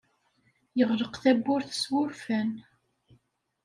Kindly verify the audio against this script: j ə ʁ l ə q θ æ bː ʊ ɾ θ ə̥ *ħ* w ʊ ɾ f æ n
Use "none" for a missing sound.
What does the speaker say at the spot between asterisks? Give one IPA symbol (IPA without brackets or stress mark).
s